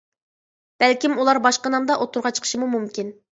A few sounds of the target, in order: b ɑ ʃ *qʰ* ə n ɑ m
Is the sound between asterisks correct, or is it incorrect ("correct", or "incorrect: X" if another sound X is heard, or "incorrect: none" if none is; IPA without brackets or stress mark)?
incorrect: q